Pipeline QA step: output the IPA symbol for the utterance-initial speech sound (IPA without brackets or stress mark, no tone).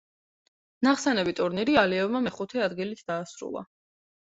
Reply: n